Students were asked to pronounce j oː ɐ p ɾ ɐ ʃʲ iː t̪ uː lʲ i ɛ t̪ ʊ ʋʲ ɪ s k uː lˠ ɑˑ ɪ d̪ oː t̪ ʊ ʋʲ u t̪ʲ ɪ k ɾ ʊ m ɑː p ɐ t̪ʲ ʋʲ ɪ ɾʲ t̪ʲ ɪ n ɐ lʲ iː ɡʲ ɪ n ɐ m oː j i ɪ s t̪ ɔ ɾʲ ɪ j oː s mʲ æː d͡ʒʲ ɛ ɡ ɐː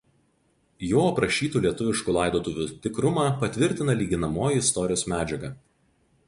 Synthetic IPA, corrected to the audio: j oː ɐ p ɾ ɐ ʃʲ iː t̪ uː lʲ i ɛ t̪ ʊ ʋʲ ɪ ʃ k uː lˠ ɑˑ ɪ d̪ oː t̪ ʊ ʋʲ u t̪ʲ ɪ k ɾ ʊ m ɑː p ɐ t̪ʲ ʋʲ ɪ ɾʲ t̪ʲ ɪ n ɐ lʲ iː ɡʲ ɪ n ɐ m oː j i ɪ s t̪ ɔ ɾʲ ɪ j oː s mʲ æː d͡ʒʲ ɛ ɡ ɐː